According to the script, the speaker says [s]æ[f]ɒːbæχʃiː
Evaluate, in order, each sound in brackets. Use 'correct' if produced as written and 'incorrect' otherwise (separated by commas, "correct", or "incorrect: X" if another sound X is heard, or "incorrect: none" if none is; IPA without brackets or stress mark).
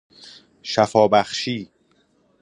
incorrect: ʃ, correct